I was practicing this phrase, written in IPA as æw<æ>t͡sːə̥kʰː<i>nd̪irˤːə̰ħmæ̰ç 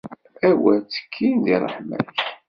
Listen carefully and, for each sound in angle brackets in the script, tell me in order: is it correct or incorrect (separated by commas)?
correct, correct